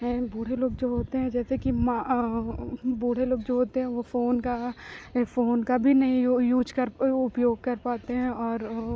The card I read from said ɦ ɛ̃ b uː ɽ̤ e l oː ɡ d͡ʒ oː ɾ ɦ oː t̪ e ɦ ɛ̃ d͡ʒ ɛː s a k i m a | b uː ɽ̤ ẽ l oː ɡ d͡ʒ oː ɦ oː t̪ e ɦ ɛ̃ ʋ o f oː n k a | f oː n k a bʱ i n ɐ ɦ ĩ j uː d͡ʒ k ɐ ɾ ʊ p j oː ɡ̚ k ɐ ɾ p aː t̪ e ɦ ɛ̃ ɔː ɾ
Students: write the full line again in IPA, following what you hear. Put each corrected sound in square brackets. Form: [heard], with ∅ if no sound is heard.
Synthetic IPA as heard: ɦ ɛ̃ b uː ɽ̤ e l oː ɡ d͡ʒ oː [∅] ɦ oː t̪ e ɦ ɛ̃ d͡ʒ ɛː s [e] k i m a | b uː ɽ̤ [e] l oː ɡ d͡ʒ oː ɦ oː t̪ e ɦ ɛ̃ ʋ o f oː n k a | f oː n k a bʱ i n ɐ ɦ ĩ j uː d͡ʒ k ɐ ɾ ʊ p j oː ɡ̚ k ɐ ɾ p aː t̪ e ɦ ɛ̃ ɔː ɾ